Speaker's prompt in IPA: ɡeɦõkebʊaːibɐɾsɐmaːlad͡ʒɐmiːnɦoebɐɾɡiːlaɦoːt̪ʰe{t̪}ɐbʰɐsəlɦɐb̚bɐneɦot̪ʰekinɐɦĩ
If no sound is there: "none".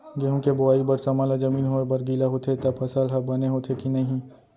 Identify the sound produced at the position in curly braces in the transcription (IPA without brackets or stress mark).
t̪